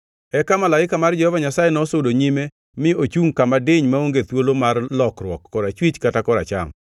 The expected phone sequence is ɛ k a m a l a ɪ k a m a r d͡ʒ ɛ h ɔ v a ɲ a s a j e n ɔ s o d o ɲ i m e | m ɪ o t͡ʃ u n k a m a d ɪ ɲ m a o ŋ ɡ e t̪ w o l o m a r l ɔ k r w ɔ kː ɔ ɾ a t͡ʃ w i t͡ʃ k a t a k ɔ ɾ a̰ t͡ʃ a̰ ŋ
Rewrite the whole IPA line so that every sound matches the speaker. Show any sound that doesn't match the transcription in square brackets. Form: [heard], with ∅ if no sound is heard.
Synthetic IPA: ɛ k a m a l a ɪ k a m a r d͡ʒ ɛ h ɔ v a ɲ a s a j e n ɔ s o d o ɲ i m e | m ɪ o t͡ʃ u [ŋ] k a m a d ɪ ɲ m a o ŋ ɡ e t̪ w o l o m a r l ɔ k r w ɔ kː ɔ ɾ a t͡ʃ w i t͡ʃ k a t a k ɔ ɾ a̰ t͡ʃ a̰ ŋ